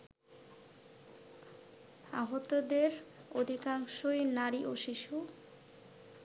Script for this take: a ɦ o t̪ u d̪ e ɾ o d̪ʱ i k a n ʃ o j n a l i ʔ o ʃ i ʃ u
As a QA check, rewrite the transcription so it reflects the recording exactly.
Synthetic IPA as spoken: a ɦ o t̪ o d̪ e ɾ o d̪ʱ i k a ŋ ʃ o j n a ɾ i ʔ o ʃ i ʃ u

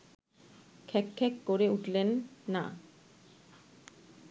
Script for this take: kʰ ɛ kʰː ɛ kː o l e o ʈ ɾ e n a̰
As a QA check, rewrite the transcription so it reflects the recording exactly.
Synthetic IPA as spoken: kʰ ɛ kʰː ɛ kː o ɾ e u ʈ l e nː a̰

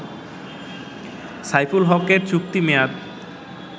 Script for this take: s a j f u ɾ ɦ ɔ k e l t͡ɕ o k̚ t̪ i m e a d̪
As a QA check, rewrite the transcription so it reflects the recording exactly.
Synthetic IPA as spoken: s a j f u l ɦ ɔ k e ɾ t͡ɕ u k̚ t̪ i m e a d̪

